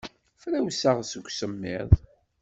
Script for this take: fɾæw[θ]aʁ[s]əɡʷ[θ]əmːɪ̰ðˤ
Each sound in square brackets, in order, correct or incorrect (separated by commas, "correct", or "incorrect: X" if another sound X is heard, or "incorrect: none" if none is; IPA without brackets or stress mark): incorrect: s, correct, incorrect: s